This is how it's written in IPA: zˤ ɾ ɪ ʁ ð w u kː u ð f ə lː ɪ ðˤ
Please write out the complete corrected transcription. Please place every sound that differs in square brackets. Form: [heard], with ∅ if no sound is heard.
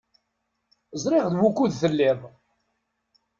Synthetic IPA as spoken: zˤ ɾ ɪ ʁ ð w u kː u ð [θ] ə lː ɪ ðˤ